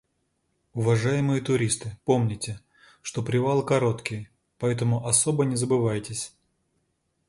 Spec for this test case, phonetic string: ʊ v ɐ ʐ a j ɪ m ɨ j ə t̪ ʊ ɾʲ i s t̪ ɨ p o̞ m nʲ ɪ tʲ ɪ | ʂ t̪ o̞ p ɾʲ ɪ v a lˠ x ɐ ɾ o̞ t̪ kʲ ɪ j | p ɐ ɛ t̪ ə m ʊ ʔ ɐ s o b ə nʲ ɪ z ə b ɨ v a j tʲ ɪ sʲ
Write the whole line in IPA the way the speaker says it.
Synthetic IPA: ʊ v ɐ ʐ a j ɪ m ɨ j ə t̪ ʊ ɾʲ i s t̪ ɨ p o̞ m nʲ ɪ tʲ ɪ | ʂ t̪ o̞ p ɾʲ ɪ v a lˠ k ɐ ɾ o̞ t̪ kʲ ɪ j | p ɐ ɛ t̪ ə m ʊ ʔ ɐ s o b ə nʲ ɪ z ə b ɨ v a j tʲ ɪ sʲ